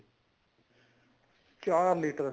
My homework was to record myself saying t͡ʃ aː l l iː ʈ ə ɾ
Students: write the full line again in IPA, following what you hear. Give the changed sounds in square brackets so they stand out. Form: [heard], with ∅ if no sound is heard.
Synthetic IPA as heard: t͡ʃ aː [ɾ] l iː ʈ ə ɾ